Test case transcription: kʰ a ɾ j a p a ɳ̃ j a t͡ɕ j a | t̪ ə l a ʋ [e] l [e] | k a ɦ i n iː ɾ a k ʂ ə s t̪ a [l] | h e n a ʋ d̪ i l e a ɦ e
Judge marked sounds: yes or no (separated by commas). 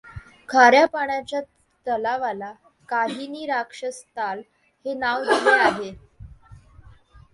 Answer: no, no, yes